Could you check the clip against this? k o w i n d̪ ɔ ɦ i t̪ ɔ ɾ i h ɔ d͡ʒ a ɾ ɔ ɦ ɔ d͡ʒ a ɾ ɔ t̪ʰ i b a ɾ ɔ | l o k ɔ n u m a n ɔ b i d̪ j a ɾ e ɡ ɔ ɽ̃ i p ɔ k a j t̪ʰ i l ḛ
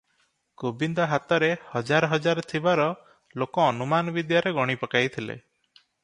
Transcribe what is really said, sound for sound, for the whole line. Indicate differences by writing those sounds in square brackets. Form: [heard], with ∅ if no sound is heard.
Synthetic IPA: k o [b] i n d̪ ɔ ɦ [a] t̪ ɔ ɾ [e] h ɔ d͡ʒ a ɾ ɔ ɦ ɔ d͡ʒ a ɾ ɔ t̪ʰ i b a ɾ ɔ | l o k [ɔː] n u m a n ɔ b i d̪ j a ɾ e ɡ ɔ ɽ̃ i p ɔ k a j t̪ʰ i l ḛ